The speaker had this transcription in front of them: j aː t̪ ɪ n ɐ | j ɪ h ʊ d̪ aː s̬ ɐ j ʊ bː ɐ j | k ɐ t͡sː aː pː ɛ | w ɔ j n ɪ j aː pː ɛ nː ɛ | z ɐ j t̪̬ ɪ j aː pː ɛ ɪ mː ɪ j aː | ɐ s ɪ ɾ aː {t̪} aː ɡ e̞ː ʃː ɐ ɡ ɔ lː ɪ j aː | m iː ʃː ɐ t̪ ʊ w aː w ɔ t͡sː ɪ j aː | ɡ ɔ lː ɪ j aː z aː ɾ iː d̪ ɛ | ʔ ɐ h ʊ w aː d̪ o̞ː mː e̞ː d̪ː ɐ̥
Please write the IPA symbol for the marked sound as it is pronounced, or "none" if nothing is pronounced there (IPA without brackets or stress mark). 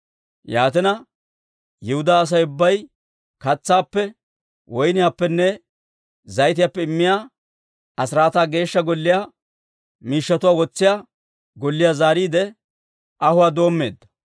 t̪